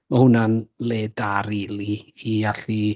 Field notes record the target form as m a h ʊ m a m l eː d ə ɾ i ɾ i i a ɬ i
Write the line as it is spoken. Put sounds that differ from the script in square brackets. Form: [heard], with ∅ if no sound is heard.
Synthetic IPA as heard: m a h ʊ [n] a [n] l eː d [a] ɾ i [l] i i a ɬ i